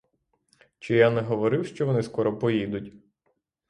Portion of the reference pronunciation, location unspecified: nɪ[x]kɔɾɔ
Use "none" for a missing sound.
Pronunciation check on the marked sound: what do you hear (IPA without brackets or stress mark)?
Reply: s